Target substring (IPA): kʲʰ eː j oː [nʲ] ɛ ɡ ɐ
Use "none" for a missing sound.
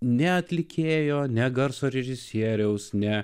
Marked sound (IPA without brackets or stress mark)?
nʲ